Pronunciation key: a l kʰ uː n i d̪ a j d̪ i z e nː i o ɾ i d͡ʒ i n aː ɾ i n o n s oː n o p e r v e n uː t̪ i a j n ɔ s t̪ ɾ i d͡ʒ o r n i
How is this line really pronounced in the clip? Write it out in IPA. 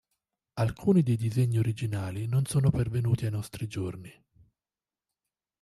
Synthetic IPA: a l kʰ uː n i d̪ e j d̪ i z e ɲː i o ɾ i d͡ʒ i n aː l i n o n s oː n o p e r v e n uː t̪ i a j n ɔ s t̪ ɾ i d͡ʒ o r n i